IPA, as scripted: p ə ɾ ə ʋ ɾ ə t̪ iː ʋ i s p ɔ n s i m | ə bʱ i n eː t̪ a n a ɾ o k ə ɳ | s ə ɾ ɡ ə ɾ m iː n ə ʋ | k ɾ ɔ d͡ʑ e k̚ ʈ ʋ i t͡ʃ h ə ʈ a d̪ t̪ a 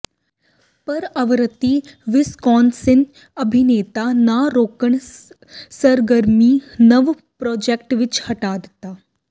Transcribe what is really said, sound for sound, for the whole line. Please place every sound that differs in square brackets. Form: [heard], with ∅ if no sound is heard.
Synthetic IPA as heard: p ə ɾ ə ʋ ɾ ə t̪ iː ʋ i s [k] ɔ n s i [n] | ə bʱ i n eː t̪ a n a ɾ o k ə ɳ | s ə ɾ ɡ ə ɾ m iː n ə ʋ | [p] ɾ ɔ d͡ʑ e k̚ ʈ ʋ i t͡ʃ h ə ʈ a d̪ t̪ a